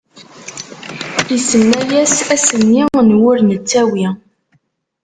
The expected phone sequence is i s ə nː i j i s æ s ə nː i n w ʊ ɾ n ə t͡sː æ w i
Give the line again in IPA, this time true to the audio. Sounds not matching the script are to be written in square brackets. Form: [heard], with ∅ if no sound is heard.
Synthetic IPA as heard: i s ə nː [æ] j [æ] s æ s ə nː i n w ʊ ɾ n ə t͡sː æ w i